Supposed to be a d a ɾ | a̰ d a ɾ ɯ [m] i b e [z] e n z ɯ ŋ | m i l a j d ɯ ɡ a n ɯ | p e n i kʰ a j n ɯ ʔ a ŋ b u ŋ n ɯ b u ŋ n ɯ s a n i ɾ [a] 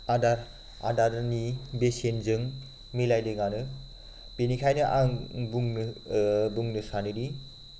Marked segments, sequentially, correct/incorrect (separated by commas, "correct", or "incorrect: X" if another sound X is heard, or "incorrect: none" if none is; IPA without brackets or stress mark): incorrect: n, incorrect: s, incorrect: i